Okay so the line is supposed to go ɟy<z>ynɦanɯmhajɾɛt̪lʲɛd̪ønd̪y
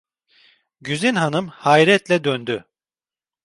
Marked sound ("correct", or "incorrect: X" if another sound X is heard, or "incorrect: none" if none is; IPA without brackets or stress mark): correct